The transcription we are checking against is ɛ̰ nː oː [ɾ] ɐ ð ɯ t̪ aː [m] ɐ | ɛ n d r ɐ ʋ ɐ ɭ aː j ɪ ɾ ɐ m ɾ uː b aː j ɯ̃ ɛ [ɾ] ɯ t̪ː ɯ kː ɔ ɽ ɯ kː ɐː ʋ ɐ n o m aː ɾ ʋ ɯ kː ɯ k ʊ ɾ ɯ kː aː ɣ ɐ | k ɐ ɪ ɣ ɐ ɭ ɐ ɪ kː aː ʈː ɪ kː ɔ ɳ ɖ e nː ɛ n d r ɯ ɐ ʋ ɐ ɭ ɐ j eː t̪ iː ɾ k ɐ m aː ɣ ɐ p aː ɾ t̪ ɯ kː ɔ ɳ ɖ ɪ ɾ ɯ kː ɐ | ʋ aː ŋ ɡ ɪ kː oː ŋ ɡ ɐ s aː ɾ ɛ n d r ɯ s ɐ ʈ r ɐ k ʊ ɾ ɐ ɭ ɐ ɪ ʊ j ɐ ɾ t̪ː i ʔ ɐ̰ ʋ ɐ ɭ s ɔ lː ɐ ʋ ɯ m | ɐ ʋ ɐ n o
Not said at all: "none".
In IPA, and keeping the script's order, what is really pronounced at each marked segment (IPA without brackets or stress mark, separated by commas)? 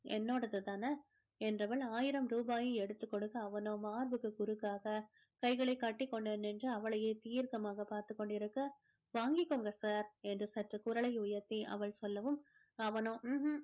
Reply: ɽ, n, ɽ